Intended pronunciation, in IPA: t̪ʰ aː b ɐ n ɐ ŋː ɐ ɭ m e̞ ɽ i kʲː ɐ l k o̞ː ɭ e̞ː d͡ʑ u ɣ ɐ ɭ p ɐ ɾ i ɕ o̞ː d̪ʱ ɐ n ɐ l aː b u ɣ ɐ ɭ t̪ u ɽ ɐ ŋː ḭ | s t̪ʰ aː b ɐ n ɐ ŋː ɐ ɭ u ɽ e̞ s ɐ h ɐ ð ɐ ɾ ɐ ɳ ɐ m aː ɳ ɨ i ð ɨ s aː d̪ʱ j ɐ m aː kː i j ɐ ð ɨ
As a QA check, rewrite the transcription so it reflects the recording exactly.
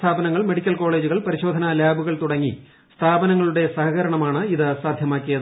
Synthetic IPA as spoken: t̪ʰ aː b ɐ n ɐ ŋː ɐ ɭ m e̞ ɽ i kʲː ɐ l k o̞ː ɭ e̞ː d͡ʑ u ɣ ɐ ɭ p ɐ ɾ i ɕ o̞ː d̪ʱ ɐ n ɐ l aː b u ɣ ɐ ɭ t̪ u ɽ ɐ ŋː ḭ | s t̪ʰ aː b ɐ n ɐ ŋː ɐ ɭ u ɽ e̞ s ɐ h ɐ ɣ ɐ ɾ ɐ ɳ ɐ m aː ɳ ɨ i ð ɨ s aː d̪ʱ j ɐ m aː kː i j ɐ ð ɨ